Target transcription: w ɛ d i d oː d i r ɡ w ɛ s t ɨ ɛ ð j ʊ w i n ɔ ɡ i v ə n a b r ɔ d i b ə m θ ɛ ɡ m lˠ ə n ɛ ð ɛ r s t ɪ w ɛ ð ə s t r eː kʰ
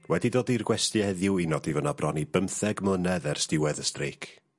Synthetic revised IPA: w ɛ d i d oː d i r ɡ w ɛ s t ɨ ɛ ð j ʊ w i n ɔ d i v ə n a b r ɔ n i b ə m θ ɛ ɡ m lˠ ə n ɛ ð ɛ r s t ɪ w ɛ ð ə s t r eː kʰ